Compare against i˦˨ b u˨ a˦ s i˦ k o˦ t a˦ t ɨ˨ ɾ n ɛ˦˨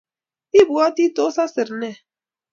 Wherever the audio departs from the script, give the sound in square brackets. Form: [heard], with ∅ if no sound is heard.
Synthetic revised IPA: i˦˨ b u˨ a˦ [t] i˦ [t] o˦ [s] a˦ [s] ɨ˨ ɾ n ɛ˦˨